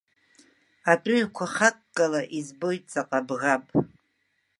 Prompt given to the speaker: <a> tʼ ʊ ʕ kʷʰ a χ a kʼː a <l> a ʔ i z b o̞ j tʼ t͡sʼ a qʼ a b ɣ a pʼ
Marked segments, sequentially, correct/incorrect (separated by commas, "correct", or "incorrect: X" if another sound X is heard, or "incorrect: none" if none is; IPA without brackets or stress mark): correct, correct